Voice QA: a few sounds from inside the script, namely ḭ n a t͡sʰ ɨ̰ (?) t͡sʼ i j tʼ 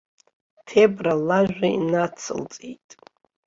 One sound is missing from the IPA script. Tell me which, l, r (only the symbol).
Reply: l